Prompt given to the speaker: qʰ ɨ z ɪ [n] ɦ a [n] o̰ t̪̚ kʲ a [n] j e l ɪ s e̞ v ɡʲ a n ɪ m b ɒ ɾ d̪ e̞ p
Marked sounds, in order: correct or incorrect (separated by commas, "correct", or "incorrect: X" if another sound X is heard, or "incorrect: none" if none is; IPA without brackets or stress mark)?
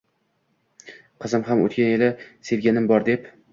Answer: incorrect: m, incorrect: m, correct